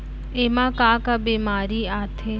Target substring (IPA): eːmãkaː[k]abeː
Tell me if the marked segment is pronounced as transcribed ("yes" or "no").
yes